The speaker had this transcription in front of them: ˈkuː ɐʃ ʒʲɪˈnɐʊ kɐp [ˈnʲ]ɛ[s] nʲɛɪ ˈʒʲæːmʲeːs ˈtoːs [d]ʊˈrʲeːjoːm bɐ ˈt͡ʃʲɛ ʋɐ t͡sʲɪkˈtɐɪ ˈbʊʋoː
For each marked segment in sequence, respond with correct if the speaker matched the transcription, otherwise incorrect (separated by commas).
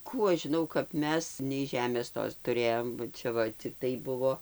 incorrect, correct, incorrect